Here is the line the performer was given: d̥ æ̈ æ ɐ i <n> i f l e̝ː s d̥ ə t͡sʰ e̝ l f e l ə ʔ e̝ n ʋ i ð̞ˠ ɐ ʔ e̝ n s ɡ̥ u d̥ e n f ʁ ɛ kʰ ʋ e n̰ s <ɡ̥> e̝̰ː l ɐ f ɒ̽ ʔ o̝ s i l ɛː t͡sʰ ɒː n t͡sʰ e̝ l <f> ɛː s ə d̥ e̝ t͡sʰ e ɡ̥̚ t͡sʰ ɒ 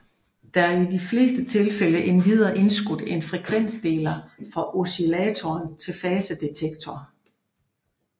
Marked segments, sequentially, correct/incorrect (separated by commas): incorrect, incorrect, correct